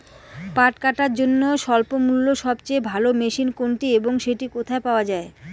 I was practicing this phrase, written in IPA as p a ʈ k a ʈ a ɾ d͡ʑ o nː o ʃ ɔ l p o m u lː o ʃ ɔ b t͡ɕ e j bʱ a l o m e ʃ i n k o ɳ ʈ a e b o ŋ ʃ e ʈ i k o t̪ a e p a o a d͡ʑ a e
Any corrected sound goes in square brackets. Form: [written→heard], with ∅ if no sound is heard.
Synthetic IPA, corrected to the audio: p a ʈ k a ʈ a ɾ d͡ʑ o nː o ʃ ɔ l p o m u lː o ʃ ɔ b t͡ɕ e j bʱ a l o m e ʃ i n k o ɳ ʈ [a→i] e b o ŋ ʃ e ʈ i k o [t̪→t̪ʰ] a e p a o a d͡ʑ a e